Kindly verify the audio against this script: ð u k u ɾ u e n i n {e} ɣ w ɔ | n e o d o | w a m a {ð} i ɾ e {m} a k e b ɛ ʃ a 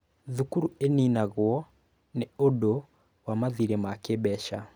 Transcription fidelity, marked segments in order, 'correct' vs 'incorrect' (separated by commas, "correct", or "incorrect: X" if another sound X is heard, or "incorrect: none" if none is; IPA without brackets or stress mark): incorrect: a, correct, correct